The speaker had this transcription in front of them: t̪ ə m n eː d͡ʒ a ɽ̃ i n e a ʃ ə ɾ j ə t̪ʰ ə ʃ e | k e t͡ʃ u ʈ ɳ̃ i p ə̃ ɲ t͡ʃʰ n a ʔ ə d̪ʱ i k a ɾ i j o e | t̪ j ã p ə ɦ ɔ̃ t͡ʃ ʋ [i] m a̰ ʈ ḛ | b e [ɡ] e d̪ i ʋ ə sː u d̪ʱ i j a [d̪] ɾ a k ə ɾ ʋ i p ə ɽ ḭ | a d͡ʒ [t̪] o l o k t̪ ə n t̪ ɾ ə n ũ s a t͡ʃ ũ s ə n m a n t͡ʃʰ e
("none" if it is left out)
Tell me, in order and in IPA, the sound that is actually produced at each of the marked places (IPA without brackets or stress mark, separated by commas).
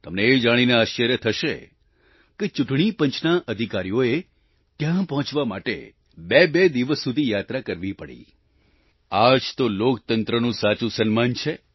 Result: a, b, t̪, t̪